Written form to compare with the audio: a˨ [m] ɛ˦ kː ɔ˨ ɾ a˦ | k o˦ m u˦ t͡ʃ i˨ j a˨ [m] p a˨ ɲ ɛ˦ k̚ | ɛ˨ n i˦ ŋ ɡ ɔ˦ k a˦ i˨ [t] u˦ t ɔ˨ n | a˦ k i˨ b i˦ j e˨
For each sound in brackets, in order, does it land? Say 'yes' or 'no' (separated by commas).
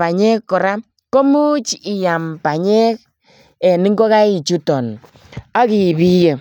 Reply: no, yes, no